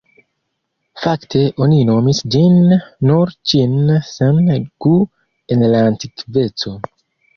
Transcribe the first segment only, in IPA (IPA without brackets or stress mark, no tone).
f